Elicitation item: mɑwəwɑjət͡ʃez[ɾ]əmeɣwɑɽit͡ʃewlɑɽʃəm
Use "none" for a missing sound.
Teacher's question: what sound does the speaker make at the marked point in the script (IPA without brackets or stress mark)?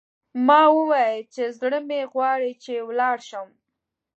ɽ